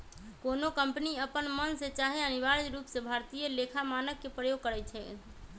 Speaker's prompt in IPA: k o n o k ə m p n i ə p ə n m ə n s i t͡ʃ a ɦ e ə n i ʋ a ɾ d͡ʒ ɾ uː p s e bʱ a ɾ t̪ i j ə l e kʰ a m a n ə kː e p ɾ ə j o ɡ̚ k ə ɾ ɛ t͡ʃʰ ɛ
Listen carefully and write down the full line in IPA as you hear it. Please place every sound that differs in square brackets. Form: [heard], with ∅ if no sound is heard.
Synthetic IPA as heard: k o n o k ə m p n i ə p ə n m ə n s [e] t͡ʃ a ɦ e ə n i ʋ a ɾ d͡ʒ ɾ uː p s e bʱ a ɾ t̪ i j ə l e kʰ a m a n ə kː e p ɾ ə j o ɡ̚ k ə ɾ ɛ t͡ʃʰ ɛ